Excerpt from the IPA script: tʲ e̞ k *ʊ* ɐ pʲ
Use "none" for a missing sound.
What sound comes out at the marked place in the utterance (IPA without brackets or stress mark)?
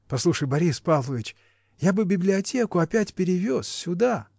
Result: ʊ